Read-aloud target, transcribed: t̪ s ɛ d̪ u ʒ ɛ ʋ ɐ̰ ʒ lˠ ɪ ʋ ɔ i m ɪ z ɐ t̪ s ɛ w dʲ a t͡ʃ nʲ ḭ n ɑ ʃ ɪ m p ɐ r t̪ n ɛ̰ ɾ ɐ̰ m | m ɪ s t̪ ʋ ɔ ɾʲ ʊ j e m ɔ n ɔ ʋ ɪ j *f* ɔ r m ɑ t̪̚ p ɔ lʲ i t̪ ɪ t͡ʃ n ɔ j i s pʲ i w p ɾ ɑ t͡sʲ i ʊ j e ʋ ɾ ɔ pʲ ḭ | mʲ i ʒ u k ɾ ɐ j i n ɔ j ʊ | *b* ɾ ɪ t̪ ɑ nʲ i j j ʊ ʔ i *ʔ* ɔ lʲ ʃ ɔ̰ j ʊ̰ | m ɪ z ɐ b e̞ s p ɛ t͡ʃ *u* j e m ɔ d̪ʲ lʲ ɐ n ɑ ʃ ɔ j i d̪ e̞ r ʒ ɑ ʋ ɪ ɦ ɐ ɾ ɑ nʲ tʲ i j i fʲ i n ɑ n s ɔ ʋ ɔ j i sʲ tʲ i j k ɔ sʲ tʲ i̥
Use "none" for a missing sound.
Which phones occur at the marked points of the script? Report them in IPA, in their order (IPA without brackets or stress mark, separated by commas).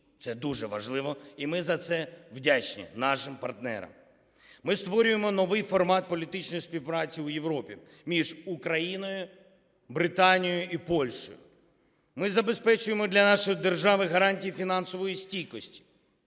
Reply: f, b, p, ʊ